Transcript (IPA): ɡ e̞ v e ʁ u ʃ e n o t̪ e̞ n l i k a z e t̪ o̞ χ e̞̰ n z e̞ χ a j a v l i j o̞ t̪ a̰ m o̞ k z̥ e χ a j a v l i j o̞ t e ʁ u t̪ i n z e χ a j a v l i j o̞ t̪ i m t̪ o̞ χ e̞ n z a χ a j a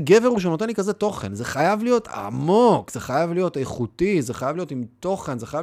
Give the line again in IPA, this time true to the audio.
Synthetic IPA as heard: ɡ e̞ v e ʁ u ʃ e n o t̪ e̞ n l i k a z e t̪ o̞ χ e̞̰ n z e̞ χ a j a v l i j o̞ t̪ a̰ m o̞ k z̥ e χ a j a v l i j o̞ t e χ u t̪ i z e χ a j a v l i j o̞ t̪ i m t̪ o̞ χ e̞ n z e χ a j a